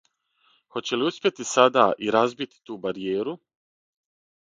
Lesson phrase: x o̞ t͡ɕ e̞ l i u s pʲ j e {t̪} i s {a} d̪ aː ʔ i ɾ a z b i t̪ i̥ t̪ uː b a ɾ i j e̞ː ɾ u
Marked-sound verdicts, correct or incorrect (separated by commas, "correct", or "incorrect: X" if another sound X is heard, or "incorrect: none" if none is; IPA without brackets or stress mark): correct, correct